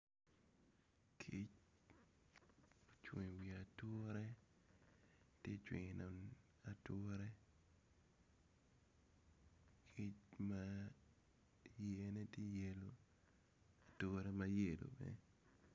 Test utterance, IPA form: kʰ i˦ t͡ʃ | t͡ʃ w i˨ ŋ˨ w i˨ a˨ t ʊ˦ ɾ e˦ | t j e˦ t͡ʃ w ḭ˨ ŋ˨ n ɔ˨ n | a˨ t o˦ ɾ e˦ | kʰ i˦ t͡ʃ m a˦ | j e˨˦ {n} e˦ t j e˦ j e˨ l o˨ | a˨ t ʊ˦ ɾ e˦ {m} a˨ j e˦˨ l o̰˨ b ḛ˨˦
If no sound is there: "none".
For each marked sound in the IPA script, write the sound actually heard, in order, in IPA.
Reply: n, m

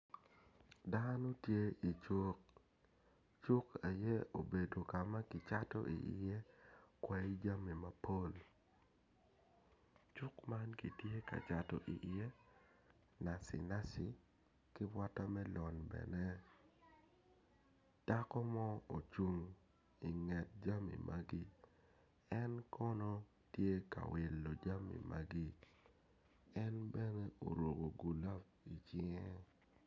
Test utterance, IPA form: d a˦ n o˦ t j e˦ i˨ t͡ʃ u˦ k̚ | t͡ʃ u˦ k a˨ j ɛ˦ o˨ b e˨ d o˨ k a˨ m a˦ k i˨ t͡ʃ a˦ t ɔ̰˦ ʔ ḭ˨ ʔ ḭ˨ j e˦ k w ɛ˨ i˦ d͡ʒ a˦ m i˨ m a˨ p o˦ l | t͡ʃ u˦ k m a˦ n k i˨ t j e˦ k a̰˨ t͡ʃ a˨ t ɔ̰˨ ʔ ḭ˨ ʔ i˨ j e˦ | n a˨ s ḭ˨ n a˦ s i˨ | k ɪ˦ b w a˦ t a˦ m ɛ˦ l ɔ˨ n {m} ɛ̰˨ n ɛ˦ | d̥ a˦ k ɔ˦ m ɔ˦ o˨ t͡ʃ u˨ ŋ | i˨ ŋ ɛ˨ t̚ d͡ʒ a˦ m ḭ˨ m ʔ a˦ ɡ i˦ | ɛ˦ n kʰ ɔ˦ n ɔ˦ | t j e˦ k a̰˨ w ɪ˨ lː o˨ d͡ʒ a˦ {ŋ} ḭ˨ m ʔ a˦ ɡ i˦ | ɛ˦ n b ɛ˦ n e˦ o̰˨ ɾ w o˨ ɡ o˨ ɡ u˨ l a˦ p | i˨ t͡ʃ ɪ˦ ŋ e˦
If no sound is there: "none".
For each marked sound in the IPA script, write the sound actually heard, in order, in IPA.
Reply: b, m

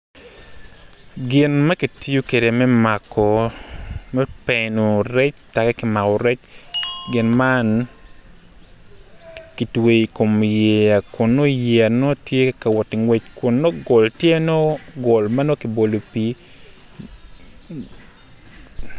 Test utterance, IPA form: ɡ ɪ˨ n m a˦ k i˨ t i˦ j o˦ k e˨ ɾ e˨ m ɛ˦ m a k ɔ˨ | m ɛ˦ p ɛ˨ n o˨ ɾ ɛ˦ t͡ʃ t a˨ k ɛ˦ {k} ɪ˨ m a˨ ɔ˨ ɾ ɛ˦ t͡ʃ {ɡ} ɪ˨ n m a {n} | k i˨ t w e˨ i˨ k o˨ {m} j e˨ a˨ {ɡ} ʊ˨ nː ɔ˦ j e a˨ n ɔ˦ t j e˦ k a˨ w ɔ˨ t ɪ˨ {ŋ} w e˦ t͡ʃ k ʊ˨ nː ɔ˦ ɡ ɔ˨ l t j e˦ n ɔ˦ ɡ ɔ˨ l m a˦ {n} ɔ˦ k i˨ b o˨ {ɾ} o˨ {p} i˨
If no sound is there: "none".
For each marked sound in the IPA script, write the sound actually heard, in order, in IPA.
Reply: k, ɡ, n, m, k, ŋ, n, l, p

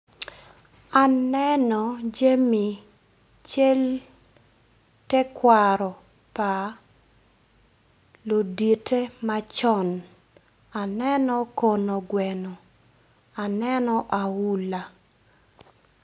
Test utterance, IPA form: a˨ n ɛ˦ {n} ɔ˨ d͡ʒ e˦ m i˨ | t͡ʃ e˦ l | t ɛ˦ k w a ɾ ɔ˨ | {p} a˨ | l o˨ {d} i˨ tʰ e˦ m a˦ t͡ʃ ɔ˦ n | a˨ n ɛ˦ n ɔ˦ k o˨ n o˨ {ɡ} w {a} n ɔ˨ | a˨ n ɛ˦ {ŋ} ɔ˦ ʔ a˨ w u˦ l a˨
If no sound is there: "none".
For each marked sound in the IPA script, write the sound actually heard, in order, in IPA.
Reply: n, p, d, ɡ, ɛ, n

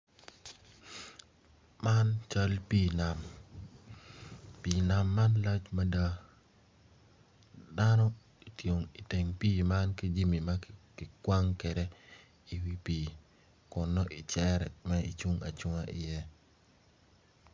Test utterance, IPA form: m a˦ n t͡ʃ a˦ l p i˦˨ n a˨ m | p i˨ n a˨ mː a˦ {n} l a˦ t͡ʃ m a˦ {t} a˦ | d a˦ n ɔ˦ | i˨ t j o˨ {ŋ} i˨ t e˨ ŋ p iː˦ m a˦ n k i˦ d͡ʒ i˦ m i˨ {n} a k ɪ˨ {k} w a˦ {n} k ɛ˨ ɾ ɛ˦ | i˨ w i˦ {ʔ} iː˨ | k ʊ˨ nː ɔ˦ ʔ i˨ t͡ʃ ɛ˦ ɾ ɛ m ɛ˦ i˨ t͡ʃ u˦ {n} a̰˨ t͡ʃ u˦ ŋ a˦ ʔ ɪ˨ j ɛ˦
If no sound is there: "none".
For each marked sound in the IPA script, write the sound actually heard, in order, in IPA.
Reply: n, d, ŋ, m, k, ŋ, p, ŋ

